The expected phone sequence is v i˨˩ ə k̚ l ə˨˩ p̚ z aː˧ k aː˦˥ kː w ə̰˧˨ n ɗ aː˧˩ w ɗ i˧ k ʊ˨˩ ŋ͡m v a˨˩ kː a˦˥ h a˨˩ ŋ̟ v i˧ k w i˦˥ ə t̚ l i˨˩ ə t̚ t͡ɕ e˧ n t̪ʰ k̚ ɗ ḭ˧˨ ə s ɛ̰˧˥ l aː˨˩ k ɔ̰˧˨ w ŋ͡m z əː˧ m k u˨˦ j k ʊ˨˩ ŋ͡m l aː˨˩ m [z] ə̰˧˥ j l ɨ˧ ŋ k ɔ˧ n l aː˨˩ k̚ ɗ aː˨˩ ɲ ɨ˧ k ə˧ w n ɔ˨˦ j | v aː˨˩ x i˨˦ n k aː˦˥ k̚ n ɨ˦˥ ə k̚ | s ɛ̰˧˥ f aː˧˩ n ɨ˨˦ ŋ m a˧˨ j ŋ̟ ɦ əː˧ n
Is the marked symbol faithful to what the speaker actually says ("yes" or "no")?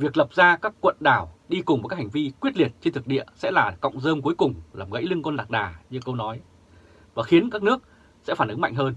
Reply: no